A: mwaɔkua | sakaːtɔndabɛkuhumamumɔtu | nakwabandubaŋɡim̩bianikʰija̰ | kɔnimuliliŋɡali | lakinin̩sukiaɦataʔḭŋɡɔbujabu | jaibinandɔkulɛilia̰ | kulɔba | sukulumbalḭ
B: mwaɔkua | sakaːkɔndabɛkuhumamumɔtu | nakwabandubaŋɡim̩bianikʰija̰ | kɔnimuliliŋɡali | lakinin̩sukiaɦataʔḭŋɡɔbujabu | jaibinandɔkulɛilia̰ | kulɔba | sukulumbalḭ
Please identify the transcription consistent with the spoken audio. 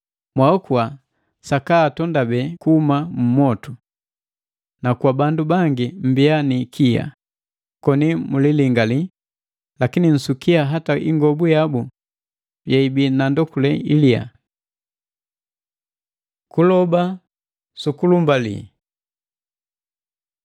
A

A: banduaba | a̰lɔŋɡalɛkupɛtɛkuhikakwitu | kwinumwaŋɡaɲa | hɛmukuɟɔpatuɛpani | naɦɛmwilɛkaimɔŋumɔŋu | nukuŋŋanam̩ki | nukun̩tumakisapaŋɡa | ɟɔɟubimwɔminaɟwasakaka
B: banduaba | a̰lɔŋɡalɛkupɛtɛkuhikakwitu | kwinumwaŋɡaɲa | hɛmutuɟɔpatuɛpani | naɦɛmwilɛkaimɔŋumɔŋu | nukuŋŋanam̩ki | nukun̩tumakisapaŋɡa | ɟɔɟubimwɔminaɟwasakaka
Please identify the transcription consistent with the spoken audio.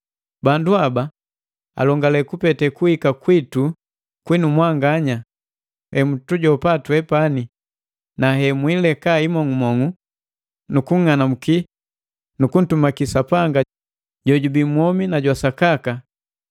B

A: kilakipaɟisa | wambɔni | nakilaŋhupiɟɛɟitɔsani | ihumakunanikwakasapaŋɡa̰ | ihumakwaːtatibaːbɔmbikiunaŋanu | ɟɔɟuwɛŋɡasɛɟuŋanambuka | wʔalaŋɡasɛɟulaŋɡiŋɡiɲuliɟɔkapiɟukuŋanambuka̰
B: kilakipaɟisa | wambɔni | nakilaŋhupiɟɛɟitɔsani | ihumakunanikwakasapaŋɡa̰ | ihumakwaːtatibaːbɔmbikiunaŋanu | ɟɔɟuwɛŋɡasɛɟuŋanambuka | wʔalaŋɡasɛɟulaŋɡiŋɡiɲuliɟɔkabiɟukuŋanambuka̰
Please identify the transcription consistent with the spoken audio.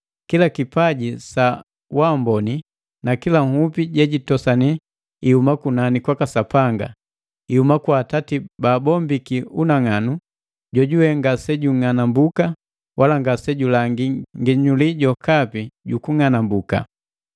A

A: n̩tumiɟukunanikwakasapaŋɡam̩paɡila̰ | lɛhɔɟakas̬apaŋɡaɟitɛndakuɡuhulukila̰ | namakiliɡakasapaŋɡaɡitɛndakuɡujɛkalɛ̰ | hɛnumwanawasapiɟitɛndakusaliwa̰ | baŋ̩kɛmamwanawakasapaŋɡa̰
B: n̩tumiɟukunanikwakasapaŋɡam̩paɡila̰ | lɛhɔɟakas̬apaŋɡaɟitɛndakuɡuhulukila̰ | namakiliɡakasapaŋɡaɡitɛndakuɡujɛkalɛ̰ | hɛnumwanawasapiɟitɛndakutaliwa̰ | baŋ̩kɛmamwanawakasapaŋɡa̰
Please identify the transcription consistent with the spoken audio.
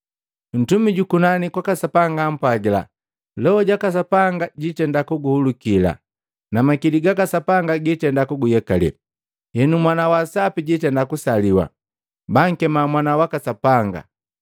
A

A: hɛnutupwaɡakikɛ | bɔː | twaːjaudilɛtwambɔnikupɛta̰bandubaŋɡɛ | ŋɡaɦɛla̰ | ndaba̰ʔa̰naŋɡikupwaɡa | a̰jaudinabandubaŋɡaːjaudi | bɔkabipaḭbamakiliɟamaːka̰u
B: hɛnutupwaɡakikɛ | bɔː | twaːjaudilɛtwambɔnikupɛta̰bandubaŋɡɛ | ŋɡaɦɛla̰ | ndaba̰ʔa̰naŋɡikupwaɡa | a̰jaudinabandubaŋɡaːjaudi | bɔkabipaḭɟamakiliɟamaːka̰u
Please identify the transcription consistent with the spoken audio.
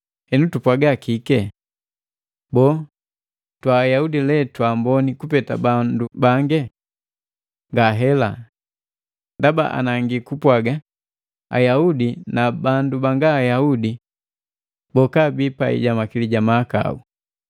B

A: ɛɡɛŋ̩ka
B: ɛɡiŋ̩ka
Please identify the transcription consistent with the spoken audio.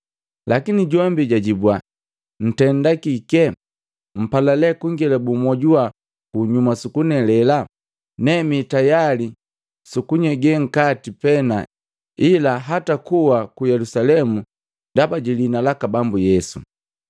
A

